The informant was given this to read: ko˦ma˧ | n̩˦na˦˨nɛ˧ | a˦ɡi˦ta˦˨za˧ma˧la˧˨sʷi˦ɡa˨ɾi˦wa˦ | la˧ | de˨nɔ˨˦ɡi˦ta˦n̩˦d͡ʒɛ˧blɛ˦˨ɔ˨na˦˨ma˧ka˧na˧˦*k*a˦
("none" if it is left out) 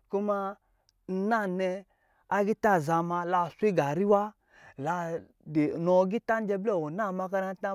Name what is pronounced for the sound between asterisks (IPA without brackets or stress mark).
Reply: t